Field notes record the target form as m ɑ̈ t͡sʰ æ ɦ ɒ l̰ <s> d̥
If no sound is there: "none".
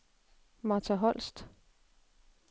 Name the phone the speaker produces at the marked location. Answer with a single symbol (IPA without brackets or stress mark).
s